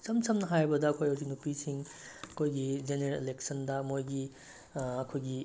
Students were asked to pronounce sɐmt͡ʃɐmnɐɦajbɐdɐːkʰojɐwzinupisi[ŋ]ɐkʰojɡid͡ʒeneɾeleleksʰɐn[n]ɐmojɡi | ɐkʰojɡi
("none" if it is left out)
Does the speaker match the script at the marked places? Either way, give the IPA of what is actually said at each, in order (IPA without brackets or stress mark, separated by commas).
ŋ, d